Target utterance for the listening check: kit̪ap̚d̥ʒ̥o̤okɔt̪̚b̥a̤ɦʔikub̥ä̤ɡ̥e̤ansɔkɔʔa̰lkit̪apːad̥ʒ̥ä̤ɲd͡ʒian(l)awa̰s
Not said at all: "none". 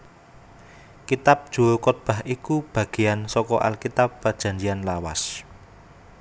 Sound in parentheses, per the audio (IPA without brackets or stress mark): l